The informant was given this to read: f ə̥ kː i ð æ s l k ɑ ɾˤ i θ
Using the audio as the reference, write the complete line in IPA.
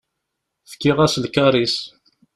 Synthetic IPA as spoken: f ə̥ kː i ʁ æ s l k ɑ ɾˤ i s